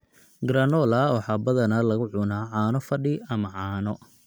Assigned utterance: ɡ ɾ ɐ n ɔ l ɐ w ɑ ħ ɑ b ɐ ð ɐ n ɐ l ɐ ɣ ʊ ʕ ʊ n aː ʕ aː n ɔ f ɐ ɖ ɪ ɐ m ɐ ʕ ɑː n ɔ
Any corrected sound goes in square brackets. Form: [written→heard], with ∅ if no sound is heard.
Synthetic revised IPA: ɡ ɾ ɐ n ɔ l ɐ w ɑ ħ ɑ b ɐ ð ɐ n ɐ l ɐ ɣ ʊ ʕ ʊ n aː ʕ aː n ɔ f ɐ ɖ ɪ ɐ m ɐ ʕ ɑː n ɔ